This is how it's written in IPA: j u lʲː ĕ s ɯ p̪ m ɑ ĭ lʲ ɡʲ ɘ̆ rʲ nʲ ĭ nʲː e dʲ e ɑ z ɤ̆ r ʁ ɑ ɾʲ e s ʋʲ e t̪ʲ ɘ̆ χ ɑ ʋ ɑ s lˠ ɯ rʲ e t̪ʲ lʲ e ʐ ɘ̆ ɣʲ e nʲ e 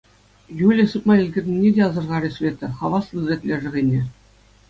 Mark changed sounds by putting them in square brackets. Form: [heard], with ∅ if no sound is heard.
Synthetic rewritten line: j u [lʲ] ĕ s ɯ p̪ m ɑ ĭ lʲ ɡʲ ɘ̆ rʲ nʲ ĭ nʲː e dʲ e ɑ z ɤ̆ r ʁ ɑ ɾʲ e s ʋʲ e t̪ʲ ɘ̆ χ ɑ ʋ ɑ s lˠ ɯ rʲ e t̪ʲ lʲ e ʐ ɘ̆ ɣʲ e nʲ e

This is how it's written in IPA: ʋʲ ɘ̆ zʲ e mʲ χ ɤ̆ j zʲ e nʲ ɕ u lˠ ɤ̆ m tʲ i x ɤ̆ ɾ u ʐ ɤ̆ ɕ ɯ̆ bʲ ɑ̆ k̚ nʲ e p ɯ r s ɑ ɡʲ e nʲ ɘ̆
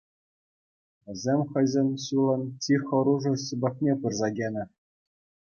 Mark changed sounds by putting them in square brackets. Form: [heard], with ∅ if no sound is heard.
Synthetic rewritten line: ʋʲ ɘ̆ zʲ e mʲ χ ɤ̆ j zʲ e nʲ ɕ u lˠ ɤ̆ [n] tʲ i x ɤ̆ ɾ u ʐ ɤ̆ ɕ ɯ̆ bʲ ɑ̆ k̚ nʲ e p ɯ r [z] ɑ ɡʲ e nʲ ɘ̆

